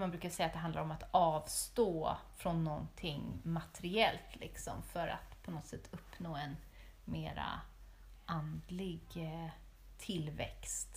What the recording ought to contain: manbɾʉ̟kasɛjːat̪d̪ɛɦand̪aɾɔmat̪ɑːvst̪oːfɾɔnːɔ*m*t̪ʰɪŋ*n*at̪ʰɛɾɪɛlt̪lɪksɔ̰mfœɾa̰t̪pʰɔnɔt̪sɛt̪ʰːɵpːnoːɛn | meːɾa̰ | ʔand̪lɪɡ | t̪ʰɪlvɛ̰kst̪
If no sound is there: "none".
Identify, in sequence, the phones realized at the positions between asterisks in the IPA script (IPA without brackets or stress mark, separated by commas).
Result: n, m